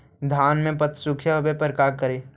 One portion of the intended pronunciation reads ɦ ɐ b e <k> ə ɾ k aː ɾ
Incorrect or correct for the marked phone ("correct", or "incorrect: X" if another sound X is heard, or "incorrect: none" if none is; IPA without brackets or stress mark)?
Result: incorrect: p